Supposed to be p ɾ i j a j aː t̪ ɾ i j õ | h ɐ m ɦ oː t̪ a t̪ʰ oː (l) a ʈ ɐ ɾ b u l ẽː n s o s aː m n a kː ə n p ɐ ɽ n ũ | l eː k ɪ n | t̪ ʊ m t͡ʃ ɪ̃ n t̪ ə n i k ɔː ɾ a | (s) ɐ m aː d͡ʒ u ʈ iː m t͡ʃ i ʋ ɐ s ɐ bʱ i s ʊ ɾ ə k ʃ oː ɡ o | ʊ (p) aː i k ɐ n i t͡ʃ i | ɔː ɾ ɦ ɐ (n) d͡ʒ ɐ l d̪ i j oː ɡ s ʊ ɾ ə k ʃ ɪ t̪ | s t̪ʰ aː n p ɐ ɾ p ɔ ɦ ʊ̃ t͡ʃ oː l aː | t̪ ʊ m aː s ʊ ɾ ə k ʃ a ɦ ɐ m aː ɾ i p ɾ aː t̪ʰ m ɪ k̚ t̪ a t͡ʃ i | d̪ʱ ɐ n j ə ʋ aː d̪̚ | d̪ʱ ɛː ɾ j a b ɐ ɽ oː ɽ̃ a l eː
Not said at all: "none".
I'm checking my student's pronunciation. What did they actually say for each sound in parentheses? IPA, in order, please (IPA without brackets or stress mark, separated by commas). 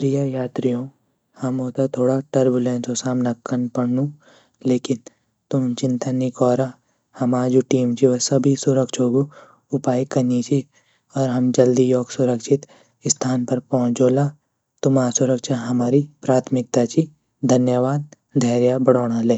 ɽ, h, p, m